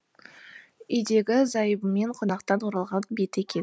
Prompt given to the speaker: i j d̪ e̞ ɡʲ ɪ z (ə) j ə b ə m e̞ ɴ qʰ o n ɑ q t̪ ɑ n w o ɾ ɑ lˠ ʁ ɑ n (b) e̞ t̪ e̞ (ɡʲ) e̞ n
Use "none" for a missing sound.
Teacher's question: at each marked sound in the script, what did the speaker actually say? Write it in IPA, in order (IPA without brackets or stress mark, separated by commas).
ɑ, b, kʲ